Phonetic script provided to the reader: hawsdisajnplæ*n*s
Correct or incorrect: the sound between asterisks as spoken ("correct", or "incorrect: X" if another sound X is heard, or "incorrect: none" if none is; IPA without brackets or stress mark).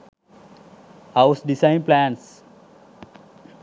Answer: correct